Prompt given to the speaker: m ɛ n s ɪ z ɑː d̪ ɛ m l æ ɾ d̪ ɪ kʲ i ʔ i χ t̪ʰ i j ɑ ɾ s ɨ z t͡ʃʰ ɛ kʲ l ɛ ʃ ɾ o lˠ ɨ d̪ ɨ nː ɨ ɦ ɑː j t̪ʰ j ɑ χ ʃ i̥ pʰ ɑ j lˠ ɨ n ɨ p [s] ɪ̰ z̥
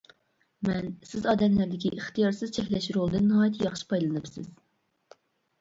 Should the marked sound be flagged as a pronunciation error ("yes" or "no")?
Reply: no